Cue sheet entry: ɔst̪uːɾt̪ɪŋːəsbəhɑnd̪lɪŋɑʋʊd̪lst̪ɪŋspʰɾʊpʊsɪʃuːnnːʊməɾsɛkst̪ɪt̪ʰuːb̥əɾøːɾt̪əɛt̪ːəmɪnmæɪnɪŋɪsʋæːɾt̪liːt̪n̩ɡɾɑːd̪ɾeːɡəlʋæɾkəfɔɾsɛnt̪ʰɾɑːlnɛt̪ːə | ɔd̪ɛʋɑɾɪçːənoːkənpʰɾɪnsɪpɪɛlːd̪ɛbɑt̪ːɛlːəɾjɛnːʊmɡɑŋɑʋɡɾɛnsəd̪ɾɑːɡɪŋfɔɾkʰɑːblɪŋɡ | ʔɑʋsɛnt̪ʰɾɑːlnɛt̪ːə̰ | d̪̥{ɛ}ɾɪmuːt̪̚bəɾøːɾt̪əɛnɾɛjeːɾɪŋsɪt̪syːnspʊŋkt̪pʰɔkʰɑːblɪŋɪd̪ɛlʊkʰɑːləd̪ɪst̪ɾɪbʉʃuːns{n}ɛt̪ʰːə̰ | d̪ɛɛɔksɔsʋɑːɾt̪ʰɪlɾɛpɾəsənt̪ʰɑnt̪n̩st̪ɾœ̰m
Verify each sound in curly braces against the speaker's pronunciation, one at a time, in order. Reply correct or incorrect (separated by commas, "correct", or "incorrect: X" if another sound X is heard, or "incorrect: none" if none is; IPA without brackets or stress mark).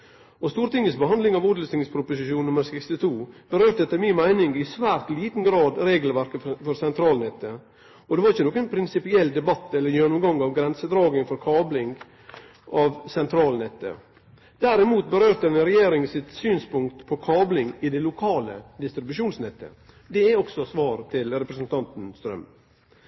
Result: incorrect: æ, correct